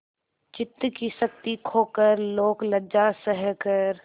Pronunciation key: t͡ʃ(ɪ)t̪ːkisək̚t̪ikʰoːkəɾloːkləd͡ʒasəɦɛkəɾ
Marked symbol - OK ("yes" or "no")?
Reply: yes